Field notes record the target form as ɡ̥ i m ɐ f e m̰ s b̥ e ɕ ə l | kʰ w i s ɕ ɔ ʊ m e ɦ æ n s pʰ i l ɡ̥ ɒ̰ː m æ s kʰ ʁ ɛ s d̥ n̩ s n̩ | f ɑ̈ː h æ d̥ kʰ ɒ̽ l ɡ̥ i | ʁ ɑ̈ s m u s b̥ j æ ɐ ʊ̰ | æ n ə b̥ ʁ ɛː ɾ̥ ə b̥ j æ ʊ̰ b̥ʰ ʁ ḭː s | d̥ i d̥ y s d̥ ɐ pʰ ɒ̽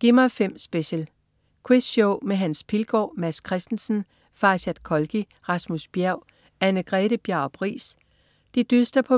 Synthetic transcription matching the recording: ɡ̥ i m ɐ f e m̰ s b̥ e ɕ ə l | kʰ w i s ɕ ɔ ʊ m e ɦ æ n s pʰ i l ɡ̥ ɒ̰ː m æ s kʰ ʁ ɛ s d̥ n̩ s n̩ | f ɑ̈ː ɕ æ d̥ kʰ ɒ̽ l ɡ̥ i | ʁ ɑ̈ s m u s b̥ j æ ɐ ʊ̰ | æ n ə ɡ̥ ʁ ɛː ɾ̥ ə b̥ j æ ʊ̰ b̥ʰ ʁ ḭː s | d̥ i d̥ y s d̥ ɐ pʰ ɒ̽